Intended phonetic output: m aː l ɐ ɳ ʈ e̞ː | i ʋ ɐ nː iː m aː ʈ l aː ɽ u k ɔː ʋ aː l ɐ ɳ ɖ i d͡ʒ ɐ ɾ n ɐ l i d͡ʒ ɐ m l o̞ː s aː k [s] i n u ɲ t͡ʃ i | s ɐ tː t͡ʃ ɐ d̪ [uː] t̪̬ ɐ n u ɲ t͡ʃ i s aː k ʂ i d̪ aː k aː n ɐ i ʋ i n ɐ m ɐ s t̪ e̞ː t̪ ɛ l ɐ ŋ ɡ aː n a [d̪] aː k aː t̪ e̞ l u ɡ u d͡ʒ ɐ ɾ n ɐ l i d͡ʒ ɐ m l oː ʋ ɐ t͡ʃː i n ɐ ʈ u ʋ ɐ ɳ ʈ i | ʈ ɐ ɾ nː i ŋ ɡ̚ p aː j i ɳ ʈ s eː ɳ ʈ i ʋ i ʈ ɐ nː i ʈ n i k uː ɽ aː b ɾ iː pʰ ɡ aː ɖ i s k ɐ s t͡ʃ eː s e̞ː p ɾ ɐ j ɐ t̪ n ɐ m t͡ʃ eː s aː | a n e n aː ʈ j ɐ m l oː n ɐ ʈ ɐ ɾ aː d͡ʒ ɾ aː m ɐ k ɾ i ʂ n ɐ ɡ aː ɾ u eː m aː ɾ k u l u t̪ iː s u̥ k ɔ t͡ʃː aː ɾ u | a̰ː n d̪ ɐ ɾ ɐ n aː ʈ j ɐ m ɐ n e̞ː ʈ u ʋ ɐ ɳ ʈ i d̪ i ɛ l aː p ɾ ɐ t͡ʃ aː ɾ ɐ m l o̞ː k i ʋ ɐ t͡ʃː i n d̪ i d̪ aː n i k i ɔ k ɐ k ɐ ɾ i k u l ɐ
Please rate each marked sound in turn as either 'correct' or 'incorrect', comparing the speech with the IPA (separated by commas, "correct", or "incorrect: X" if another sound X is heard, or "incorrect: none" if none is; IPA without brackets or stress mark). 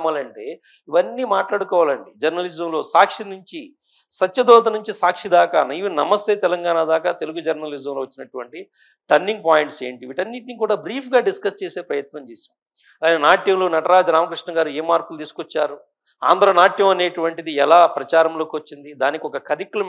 incorrect: ʂ, incorrect: ɔː, correct